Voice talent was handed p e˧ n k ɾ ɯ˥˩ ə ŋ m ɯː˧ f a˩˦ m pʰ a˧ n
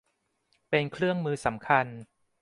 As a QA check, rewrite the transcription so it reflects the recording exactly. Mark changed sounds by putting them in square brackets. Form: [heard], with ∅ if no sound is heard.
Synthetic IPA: p e˧ n [kʰ] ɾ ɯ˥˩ ə ŋ m ɯː˧ [s] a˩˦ m [kʰ] a˧ n